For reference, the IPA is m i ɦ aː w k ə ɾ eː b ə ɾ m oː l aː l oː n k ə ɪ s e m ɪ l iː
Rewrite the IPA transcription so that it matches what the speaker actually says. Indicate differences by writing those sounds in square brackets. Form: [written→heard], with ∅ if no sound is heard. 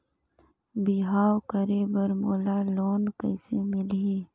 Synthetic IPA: [m→b] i ɦ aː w k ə ɾ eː b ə ɾ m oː l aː l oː n k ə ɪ s e m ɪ l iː